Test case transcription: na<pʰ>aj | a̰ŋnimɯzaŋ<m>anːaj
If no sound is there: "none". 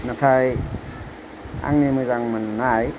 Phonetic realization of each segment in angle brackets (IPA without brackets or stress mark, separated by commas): tʰ, m